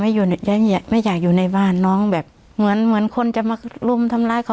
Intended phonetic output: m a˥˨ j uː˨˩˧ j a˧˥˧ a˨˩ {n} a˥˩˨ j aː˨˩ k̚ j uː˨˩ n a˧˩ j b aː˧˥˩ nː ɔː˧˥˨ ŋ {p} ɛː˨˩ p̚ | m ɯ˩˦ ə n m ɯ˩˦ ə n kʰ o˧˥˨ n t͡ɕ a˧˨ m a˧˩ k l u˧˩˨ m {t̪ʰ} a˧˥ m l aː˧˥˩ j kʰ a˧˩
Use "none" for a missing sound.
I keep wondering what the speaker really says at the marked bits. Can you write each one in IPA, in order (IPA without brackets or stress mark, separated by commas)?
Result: m, b, t̪ʰ